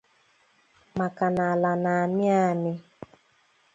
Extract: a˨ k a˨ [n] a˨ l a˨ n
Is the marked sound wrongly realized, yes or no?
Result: no